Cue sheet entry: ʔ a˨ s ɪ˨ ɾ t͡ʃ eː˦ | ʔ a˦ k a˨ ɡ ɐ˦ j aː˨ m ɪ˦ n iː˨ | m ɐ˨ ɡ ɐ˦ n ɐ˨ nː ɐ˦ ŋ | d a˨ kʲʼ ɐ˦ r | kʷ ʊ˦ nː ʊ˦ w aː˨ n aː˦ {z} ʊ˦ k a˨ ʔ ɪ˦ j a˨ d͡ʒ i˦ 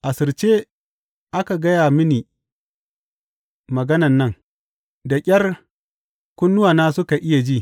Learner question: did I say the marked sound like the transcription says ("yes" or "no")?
no